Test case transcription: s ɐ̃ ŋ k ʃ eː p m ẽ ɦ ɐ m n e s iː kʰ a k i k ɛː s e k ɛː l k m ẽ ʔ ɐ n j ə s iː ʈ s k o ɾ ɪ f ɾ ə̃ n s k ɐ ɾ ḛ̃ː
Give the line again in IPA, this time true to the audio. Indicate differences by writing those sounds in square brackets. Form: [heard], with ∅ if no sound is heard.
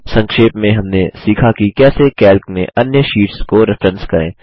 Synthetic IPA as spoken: s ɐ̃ ŋ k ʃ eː p m ẽ ɦ ɐ m n e s iː kʰ a k i k ɛː s e k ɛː l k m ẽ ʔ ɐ n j ə [ʃ] iː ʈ s k o ɾ ɪ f ɾ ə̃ n s k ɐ ɾ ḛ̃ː